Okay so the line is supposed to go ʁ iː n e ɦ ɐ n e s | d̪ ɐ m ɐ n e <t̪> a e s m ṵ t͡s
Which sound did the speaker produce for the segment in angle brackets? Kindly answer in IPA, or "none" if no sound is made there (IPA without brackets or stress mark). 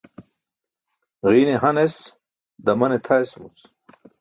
t̪ʰ